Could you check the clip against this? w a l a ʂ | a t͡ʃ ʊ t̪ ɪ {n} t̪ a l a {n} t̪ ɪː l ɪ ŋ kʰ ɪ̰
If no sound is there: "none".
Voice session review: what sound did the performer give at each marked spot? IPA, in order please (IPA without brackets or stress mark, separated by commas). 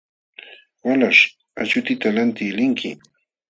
none, n